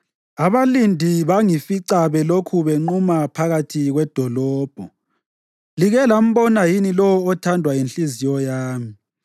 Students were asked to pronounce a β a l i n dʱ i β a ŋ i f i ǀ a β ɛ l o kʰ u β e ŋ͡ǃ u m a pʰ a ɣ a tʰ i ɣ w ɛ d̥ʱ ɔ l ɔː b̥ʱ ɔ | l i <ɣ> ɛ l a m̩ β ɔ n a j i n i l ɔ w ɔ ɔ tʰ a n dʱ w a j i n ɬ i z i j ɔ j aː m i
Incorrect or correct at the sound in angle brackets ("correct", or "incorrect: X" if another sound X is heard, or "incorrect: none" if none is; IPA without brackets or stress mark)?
correct